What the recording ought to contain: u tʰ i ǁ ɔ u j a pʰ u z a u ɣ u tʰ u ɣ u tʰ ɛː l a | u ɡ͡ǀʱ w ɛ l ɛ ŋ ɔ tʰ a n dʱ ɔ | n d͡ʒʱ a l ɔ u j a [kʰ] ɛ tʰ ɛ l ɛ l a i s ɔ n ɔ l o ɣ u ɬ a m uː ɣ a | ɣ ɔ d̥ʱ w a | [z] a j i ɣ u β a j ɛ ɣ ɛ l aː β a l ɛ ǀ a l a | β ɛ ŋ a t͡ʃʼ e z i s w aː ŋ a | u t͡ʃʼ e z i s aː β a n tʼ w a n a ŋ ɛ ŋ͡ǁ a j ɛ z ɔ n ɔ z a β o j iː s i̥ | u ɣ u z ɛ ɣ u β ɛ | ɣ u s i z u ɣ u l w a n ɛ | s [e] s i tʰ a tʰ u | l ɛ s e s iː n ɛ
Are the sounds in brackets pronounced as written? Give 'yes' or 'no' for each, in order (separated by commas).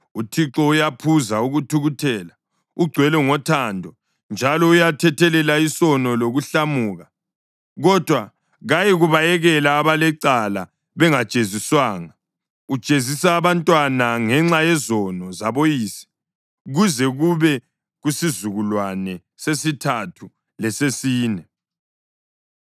no, no, yes